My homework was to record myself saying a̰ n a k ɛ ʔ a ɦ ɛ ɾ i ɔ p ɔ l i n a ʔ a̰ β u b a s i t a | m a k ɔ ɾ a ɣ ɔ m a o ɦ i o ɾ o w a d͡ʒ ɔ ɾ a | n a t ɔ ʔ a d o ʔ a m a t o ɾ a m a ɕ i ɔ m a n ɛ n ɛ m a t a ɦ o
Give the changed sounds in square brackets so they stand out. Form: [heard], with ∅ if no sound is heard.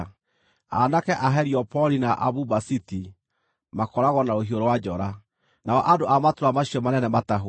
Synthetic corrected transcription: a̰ n a k ɛ ʔ a ɦ ɛ ɾ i ɔ p ɔ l i n a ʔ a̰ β u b a s i t [i] | m a k ɔ ɾ a ɣ ɔ [n] a o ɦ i o ɾ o w a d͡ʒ ɔ ɾ a | n a [∅] ɔ ʔ a d o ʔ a m a t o ɾ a m a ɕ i ɔ m a n ɛ n ɛ m a t a ɦ o